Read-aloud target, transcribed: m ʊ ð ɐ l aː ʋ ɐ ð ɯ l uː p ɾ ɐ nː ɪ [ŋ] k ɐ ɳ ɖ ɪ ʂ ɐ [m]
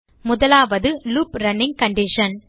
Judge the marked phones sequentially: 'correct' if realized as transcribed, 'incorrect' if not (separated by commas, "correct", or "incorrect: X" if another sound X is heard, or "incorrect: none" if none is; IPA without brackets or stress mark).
correct, incorrect: n